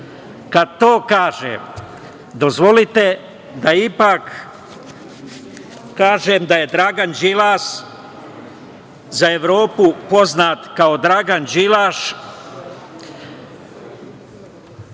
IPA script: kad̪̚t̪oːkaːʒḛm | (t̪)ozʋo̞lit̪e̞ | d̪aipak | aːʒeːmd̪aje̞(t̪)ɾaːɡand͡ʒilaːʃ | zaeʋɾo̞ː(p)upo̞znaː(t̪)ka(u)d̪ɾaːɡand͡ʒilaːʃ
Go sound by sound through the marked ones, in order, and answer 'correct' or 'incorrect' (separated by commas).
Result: incorrect, incorrect, correct, correct, incorrect